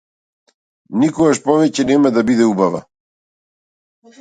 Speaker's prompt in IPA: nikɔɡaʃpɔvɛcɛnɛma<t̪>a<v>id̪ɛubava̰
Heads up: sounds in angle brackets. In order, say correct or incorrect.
incorrect: d̪, incorrect: b

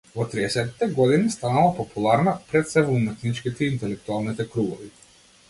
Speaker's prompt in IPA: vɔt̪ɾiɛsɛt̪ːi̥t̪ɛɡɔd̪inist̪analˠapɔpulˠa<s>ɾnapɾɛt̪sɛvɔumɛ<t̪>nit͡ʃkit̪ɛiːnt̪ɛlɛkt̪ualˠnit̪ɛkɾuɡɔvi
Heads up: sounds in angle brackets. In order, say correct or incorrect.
incorrect: none, correct

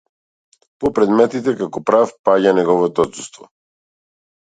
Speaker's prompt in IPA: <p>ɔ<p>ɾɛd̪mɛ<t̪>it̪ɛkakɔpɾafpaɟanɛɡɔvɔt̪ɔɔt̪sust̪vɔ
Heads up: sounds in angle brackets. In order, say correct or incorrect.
correct, correct, correct

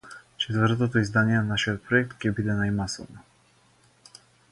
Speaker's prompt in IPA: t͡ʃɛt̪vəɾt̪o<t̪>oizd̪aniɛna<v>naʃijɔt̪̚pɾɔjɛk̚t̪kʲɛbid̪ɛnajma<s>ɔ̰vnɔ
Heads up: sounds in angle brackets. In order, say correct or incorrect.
correct, incorrect: none, correct

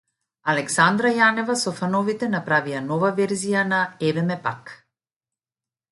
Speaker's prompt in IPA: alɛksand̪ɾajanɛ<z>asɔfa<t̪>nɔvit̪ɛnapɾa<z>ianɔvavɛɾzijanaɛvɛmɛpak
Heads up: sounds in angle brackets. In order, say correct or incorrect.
incorrect: v, incorrect: none, incorrect: v

